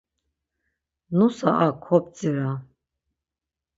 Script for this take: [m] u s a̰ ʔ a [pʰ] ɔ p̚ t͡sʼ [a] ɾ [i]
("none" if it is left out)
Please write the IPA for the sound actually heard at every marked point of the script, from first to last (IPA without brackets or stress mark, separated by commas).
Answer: n, kʰ, i, a